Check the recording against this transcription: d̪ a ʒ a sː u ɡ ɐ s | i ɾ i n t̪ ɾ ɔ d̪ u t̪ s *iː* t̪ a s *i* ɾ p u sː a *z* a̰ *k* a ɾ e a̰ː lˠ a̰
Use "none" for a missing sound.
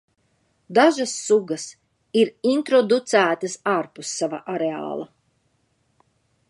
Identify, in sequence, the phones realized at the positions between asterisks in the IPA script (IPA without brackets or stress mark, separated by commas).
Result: æː, a, v, ʔ